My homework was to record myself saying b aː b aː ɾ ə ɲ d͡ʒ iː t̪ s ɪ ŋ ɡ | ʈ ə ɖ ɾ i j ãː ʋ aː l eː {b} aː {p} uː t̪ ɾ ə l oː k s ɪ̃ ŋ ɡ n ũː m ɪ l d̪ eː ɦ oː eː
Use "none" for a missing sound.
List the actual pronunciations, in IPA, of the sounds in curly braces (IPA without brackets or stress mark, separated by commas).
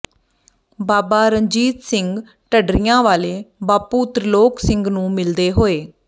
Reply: b, p